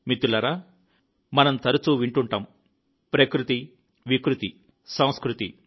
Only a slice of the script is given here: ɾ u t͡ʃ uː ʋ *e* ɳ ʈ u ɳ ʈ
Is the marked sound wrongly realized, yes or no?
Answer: yes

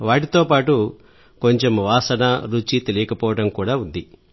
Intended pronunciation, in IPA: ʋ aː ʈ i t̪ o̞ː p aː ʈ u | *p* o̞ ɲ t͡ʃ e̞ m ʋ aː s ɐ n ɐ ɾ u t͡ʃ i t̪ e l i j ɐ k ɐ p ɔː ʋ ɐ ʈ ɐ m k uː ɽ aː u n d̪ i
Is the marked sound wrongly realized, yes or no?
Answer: yes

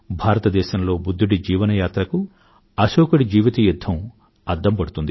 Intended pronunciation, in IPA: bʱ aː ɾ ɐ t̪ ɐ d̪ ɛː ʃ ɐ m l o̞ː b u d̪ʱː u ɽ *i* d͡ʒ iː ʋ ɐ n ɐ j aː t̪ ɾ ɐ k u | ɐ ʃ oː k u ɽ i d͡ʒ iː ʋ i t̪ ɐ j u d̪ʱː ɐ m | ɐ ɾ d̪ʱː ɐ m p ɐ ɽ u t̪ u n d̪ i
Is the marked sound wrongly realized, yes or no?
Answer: no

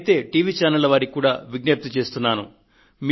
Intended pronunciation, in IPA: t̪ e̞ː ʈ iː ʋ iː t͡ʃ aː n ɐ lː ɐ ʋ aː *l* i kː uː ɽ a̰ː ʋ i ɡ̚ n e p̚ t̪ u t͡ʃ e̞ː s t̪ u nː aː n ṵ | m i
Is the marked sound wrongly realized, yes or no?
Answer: yes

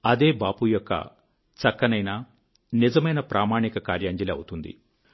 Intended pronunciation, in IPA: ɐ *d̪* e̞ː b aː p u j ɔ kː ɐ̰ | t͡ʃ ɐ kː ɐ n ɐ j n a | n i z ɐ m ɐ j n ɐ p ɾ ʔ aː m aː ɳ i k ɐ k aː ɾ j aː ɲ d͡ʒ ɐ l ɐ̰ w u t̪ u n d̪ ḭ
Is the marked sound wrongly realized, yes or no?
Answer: no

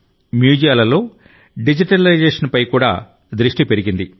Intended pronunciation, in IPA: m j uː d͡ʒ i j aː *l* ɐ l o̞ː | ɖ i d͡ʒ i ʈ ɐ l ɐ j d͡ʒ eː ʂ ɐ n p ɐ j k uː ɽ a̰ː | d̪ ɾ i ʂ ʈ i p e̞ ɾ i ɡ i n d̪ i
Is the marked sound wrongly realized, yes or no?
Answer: no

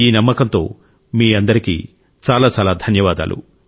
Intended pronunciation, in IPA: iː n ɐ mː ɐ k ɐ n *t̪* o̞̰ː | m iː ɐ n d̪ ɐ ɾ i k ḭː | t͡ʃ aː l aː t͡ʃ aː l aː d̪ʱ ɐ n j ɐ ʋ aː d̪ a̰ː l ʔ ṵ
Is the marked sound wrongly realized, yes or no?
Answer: no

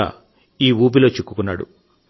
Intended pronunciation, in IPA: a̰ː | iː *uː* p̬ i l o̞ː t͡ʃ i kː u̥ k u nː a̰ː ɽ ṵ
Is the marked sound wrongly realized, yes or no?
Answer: no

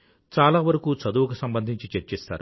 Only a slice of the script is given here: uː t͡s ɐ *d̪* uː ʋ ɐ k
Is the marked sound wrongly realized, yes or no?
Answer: no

